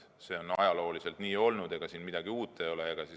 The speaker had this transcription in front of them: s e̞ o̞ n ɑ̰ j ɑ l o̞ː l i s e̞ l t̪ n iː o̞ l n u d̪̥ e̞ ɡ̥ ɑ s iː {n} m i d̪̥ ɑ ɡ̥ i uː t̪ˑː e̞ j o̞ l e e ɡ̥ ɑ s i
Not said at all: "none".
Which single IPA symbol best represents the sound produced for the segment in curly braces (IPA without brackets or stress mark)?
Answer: n